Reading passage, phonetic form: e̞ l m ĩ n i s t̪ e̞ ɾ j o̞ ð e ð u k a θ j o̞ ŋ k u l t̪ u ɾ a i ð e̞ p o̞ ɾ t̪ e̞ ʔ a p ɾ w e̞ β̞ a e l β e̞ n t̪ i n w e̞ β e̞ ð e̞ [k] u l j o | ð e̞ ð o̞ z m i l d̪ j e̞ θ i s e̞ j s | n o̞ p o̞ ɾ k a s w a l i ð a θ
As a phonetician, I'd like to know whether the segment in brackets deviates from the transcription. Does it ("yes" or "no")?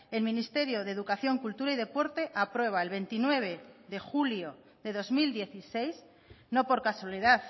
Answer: yes